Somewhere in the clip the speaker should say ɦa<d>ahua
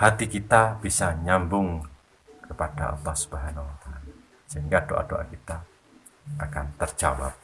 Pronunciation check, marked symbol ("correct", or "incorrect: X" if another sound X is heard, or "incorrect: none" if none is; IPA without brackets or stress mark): incorrect: n